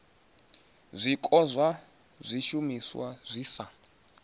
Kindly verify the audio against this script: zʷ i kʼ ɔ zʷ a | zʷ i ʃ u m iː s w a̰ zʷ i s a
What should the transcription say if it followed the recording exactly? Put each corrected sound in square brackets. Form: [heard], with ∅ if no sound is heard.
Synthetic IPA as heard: zʷ i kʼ ɔ zʷ a | zʷ i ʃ u m [i] s w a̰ zʷ i s a